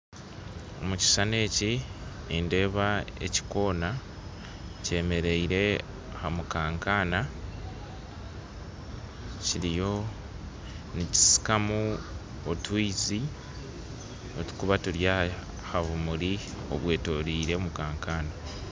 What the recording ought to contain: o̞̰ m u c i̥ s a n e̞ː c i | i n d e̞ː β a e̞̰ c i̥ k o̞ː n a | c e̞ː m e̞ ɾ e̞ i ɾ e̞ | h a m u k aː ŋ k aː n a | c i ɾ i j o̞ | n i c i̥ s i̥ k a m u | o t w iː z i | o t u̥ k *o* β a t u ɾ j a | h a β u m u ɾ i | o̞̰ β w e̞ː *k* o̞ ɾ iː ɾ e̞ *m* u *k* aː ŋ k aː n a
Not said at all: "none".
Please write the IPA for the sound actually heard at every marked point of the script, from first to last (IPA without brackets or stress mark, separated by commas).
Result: u, t, m, k